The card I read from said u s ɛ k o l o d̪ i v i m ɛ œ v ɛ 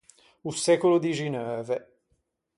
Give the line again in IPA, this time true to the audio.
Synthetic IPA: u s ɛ k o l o d̪ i ʒ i n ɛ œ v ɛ